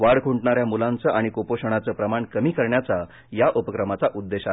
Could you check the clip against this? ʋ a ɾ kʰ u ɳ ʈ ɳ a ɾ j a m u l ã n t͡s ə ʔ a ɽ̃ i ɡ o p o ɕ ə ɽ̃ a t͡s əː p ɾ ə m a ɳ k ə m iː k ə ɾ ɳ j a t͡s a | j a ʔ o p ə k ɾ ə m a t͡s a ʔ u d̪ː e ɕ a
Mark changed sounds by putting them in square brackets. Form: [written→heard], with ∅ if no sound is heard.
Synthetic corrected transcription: ʋ a [ɾ→ɽ] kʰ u ɳ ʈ ɳ a ɾ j a m u l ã n t͡s ə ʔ a ɽ̃ i [ɡ→k] o p o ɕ ə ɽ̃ a t͡s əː p ɾ ə m a ɳ k ə m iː k ə ɾ ɳ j a t͡s a | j a ʔ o p ə k ɾ ə m a t͡s a ʔ u d̪ː e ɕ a